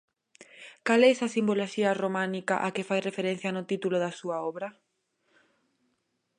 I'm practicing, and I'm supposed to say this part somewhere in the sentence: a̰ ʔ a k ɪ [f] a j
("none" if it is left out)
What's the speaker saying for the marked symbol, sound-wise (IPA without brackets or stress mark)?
f